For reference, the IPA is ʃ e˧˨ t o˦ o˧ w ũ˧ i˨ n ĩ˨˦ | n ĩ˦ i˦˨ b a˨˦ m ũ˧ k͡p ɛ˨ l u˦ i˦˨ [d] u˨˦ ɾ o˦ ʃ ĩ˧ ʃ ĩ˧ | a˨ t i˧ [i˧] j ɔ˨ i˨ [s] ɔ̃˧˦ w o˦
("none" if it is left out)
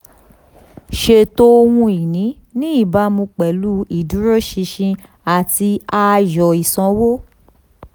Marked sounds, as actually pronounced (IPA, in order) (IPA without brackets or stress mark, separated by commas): d, a˧, s